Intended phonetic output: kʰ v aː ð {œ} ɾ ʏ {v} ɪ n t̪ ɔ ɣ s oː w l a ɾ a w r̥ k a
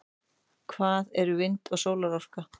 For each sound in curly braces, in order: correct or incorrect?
incorrect: ɛ, correct

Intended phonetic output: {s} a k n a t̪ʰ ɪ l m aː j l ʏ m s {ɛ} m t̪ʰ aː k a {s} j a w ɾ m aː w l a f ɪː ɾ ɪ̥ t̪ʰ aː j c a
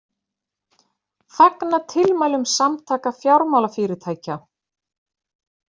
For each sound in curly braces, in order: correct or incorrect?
incorrect: f, incorrect: a, incorrect: f

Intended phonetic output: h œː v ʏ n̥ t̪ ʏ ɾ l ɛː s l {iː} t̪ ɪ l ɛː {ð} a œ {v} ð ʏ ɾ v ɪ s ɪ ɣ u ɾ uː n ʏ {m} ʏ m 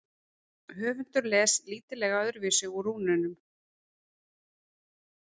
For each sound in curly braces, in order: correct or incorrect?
correct, incorrect: ɣ, incorrect: none, incorrect: n

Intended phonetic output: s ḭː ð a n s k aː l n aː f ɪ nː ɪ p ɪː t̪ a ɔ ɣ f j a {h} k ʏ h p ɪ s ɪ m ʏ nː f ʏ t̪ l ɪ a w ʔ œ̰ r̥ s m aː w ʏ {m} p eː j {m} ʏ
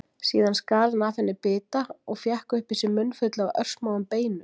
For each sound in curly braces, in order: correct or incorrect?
correct, correct, incorrect: n

